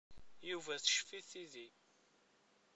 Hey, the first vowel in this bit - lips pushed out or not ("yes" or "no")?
yes